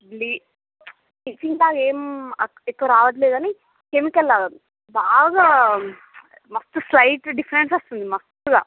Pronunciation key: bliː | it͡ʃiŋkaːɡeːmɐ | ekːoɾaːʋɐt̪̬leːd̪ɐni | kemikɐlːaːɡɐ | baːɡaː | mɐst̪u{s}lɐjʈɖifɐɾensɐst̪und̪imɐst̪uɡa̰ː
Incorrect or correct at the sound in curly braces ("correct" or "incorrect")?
correct